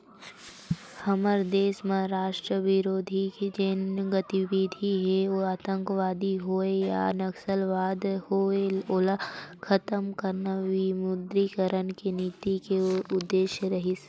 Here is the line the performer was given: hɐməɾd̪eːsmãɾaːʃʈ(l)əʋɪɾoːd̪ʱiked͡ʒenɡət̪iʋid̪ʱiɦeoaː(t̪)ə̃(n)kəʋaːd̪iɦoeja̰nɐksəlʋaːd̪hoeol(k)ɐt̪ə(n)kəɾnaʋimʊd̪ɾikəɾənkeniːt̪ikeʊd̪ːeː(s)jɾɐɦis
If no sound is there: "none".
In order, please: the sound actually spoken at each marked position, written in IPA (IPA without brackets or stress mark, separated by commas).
ɾ, t̪, ŋ, kʰ, m, ʃ